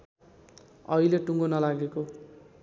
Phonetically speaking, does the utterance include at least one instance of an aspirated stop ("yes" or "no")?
no